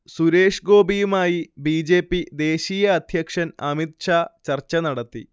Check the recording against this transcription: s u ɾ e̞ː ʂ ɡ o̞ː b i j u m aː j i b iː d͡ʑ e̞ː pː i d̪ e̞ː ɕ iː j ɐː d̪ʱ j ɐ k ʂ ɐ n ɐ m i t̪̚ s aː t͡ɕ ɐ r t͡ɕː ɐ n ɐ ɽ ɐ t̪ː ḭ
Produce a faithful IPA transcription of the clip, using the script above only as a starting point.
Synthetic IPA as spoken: s u ɾ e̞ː ʂ ɡ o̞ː b i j u m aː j i b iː d͡ʑ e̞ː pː i d̪ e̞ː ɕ iː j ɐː d̪ʱ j ɐ k ʂ ɐ n ɐ m i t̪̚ ʂ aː t͡ɕ ɐ r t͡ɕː ɐ n ɐ ɽ ɐ t̪ː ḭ